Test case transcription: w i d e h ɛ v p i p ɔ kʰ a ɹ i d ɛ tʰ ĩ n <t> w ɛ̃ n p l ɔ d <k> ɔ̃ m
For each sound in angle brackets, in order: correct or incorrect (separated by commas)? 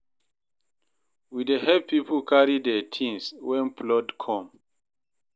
incorrect, incorrect